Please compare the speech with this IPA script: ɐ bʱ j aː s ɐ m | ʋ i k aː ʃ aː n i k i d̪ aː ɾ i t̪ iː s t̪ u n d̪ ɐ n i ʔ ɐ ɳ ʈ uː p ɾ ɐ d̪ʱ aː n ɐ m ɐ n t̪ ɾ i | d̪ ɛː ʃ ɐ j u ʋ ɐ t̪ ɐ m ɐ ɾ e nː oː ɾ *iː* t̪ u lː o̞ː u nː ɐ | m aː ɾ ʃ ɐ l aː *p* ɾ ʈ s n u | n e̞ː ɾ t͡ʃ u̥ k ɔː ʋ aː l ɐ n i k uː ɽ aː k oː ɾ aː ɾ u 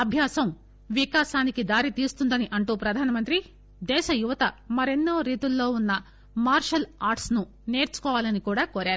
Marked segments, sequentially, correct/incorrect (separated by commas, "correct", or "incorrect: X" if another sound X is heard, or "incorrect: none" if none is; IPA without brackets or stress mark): correct, incorrect: none